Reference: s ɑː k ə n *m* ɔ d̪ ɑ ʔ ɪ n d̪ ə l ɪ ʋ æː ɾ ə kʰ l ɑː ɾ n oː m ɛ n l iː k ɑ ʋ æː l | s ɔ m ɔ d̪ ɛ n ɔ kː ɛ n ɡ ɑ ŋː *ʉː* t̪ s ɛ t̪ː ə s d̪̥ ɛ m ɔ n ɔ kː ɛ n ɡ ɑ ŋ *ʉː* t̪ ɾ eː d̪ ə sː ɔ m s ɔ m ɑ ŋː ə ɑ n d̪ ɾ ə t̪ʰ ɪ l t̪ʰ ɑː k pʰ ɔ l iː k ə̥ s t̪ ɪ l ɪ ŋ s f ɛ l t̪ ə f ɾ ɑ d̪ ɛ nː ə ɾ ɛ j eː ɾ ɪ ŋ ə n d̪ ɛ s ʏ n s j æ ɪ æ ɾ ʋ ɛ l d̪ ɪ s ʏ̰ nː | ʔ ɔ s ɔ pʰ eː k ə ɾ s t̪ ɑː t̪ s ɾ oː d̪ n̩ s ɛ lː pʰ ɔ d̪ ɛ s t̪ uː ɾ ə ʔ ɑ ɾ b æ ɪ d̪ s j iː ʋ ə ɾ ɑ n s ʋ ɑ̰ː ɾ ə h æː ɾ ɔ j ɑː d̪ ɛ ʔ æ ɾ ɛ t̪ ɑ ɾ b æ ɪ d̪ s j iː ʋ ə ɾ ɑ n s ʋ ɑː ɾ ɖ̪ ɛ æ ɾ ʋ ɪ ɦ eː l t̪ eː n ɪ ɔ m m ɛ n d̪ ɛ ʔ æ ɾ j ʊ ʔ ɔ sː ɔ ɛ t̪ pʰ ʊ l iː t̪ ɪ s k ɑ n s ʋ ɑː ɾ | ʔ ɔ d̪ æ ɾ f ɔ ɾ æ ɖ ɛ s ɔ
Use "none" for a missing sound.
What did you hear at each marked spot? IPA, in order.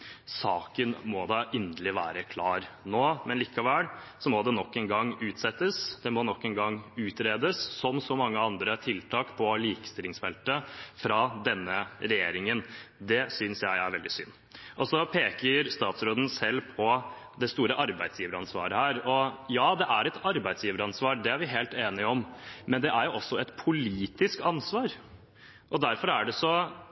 m, ʉː, ʉː

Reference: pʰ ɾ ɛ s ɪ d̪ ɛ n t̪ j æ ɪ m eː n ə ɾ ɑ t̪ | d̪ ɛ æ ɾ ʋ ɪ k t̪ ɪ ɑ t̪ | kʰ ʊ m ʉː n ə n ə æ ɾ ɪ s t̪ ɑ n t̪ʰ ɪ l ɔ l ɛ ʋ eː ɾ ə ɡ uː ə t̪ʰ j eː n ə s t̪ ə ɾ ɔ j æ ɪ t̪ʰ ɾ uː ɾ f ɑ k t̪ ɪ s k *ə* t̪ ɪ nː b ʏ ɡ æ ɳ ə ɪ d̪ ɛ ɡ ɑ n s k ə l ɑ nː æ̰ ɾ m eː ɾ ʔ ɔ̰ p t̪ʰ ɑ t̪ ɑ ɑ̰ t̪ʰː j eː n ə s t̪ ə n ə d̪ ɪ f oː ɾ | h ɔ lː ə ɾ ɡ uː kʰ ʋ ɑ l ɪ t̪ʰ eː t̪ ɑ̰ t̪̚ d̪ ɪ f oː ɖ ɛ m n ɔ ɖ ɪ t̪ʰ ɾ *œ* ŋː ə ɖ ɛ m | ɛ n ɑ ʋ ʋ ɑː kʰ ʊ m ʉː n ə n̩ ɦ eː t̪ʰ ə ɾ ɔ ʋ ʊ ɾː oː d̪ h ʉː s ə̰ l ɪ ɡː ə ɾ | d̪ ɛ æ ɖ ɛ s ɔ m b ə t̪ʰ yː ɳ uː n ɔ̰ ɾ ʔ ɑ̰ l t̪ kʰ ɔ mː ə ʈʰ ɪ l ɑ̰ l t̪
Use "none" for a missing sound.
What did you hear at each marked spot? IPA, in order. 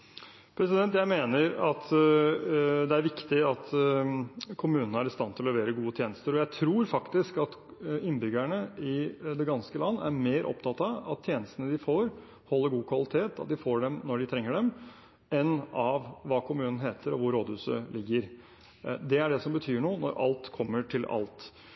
ɑ, ɛ

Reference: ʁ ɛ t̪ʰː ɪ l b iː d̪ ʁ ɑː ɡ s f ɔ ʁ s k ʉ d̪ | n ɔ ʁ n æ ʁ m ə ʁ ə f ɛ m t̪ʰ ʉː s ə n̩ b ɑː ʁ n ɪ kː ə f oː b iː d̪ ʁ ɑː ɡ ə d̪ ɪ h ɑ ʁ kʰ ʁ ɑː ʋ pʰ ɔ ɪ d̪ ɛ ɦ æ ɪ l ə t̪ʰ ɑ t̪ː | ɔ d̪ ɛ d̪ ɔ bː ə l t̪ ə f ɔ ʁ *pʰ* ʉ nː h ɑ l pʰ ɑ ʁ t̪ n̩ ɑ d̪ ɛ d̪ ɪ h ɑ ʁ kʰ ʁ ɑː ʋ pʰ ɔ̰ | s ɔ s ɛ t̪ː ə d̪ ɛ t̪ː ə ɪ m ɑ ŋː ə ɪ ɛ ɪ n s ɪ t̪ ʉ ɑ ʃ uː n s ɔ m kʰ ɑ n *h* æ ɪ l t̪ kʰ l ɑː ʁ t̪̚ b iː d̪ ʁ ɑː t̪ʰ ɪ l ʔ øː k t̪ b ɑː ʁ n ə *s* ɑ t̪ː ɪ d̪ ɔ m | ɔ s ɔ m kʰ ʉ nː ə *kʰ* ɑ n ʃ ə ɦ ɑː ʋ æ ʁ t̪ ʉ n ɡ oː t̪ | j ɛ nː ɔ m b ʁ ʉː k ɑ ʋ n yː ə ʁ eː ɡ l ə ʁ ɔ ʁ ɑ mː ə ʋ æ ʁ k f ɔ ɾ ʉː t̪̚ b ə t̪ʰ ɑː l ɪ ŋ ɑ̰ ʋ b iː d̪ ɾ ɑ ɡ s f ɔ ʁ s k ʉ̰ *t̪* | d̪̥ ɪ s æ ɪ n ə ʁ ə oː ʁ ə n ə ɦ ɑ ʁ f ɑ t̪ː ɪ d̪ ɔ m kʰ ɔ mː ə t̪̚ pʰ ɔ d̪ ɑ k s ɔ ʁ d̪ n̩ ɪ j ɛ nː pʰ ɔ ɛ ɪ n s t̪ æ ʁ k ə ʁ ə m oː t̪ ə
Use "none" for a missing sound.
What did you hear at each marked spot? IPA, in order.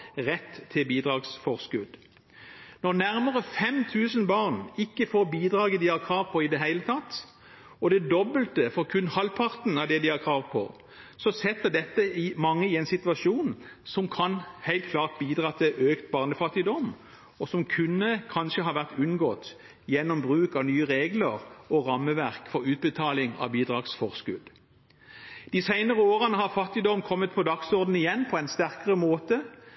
kʰ, h, f, kʰ, d̪

